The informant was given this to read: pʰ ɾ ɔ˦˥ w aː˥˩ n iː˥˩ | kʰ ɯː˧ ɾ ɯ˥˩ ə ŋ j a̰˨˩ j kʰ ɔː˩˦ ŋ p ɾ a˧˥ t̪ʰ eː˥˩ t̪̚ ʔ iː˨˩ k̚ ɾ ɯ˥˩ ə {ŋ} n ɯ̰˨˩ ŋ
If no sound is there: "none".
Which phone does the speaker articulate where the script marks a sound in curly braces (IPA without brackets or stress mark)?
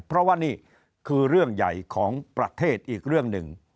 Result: ŋ